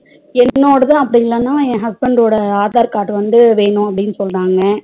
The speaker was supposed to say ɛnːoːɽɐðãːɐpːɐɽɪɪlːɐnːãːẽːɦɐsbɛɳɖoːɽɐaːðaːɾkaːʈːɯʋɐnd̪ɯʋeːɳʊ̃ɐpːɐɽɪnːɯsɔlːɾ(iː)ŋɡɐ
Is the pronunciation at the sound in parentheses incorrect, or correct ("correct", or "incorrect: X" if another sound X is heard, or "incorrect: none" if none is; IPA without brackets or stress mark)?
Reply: incorrect: aː